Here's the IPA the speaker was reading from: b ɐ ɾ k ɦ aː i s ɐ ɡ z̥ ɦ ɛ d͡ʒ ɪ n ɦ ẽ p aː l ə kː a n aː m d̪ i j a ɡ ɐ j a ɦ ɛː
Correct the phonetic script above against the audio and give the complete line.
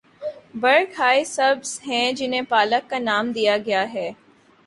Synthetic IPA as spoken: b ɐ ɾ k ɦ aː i s ɐ b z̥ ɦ ɛ̃ d͡ʒ ɪ n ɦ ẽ p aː l ə kː a n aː m d̪ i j a ɡ ɐ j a ɦ ɛː